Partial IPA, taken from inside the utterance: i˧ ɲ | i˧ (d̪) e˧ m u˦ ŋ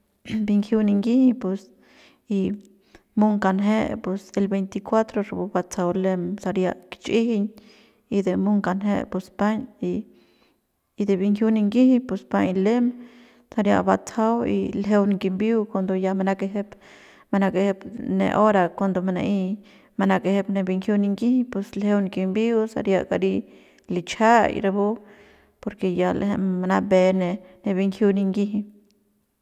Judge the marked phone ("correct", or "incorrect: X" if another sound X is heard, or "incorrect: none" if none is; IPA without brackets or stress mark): correct